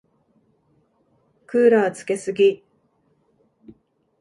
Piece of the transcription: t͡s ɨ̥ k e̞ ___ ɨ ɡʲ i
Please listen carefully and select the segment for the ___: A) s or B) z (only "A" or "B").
A